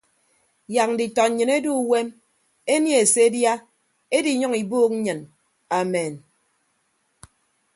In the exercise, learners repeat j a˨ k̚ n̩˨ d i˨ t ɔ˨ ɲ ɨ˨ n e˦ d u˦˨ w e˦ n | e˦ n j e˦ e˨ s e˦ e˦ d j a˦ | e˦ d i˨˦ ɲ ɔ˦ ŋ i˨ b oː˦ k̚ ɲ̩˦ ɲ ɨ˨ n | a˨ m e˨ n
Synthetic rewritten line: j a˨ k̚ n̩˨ d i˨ t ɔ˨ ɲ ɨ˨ n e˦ d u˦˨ w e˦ m | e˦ n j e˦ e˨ s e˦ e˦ d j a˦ | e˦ d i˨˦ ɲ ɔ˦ ŋ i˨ b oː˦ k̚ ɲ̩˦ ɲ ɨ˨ n | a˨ m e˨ n